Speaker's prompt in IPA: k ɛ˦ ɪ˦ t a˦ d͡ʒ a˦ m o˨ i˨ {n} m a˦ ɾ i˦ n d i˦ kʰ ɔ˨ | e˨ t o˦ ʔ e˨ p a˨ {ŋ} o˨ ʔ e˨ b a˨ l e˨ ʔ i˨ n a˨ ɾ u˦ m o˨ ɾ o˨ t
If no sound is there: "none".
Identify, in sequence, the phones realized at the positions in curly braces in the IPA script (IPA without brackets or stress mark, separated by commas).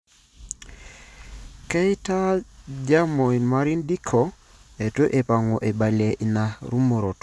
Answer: n, ŋ